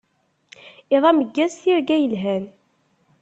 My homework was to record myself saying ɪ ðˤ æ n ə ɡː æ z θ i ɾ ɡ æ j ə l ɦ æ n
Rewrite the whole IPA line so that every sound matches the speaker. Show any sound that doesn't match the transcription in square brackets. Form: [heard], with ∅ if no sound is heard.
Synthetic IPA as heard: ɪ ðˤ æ [m] ə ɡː æ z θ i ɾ ɡ æ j ə l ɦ æ n